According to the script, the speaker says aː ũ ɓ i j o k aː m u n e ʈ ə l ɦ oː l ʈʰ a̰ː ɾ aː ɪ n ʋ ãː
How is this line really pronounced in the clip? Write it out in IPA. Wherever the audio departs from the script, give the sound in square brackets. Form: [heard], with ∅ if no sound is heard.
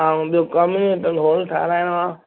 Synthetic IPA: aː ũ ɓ i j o k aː m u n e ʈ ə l ɦ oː l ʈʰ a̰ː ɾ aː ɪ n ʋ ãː